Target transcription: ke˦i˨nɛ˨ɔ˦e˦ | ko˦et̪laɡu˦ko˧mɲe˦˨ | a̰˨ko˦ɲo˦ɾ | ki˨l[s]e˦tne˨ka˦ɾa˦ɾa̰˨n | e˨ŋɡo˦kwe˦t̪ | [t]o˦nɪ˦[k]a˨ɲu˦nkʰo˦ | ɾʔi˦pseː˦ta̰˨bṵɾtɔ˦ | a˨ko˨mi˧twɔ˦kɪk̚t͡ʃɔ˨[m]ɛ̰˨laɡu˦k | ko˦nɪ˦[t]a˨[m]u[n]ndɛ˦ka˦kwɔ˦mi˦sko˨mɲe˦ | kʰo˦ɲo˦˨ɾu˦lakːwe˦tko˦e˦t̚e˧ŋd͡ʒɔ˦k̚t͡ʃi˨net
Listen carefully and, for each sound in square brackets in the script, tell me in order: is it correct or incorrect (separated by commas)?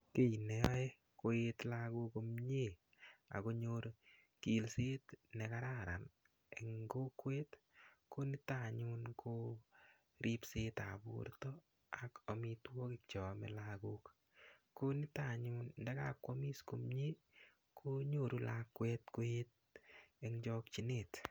correct, incorrect, incorrect, correct, correct, incorrect, correct